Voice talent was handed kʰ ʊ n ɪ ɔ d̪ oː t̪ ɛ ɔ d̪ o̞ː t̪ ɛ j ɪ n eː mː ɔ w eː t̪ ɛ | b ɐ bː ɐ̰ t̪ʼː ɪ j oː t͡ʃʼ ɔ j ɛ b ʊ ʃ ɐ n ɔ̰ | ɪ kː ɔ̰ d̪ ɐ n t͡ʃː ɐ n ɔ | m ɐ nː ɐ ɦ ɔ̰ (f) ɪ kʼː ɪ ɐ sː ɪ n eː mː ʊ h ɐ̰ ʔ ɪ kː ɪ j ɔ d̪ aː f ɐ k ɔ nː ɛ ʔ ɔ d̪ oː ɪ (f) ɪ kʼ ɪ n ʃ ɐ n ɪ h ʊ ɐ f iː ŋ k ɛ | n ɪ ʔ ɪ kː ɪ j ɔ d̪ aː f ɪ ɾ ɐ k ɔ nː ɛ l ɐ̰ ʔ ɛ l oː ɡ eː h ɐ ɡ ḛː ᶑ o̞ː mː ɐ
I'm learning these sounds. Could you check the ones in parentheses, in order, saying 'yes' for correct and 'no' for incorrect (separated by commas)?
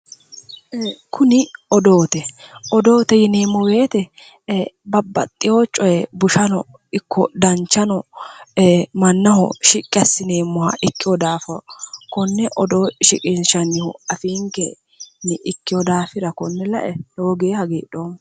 no, no